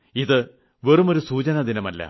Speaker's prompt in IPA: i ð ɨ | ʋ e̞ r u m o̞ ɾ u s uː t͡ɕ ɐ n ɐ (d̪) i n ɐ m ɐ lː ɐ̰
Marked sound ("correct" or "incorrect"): correct